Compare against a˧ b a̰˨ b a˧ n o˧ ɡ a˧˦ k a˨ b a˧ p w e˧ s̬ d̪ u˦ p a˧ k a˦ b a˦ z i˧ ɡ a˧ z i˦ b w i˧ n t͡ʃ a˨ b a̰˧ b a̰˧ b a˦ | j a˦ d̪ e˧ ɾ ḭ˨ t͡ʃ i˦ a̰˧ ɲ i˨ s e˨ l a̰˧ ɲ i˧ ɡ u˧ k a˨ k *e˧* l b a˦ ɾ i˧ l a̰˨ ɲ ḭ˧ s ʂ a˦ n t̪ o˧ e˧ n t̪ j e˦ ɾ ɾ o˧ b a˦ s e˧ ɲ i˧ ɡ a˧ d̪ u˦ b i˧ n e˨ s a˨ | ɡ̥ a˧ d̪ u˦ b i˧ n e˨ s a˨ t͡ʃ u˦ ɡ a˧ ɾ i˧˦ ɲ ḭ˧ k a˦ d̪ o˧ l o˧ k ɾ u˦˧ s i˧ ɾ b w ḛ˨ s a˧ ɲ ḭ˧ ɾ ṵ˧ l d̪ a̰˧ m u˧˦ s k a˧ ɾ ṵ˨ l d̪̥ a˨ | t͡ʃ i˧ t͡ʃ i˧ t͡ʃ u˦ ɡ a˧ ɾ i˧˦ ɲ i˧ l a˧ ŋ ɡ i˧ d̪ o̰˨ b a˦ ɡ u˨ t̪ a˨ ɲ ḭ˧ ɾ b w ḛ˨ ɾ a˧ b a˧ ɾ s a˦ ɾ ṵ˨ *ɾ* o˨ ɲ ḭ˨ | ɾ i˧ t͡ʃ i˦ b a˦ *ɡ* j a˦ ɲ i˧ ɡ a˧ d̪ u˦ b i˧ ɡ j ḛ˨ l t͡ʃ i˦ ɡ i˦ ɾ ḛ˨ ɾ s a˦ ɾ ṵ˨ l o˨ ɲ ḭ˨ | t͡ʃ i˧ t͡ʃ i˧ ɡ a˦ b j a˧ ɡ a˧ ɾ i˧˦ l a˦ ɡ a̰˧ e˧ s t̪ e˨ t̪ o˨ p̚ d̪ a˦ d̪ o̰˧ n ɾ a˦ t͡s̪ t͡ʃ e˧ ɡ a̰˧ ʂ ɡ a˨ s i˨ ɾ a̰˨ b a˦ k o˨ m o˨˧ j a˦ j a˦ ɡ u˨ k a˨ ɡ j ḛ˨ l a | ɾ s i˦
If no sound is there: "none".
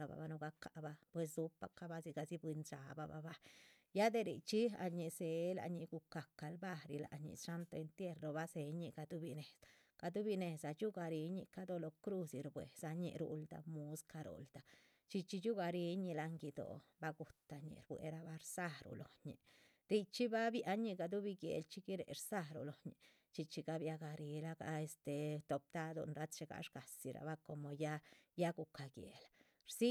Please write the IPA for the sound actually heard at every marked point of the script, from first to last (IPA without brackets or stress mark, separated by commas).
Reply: a˧, l, b